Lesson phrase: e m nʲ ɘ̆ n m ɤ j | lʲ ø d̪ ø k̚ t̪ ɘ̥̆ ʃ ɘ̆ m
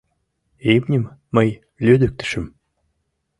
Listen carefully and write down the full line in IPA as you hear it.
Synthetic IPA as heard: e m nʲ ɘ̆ m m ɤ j | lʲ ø d̪ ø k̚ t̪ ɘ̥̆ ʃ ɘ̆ m